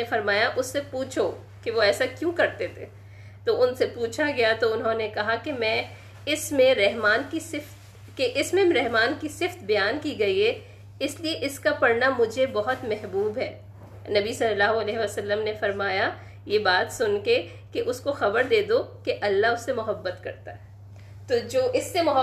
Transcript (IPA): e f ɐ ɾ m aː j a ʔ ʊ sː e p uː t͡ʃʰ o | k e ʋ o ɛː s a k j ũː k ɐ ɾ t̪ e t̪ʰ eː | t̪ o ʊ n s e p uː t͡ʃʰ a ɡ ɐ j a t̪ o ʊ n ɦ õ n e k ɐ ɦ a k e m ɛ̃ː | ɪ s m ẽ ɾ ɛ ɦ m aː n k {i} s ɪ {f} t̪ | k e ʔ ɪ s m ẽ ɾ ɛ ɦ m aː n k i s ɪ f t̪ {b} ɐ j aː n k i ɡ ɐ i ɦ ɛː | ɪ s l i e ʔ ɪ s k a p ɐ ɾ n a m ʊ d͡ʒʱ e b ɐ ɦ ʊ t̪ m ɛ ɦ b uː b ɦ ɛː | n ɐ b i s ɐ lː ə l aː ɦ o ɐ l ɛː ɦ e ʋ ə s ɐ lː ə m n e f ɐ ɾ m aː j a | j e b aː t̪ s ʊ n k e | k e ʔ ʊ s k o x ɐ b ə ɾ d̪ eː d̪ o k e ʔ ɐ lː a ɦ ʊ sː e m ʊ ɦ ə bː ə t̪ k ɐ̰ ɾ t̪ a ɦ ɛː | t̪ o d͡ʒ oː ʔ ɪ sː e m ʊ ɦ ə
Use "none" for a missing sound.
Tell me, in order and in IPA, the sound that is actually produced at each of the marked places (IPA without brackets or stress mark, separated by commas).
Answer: i, f, b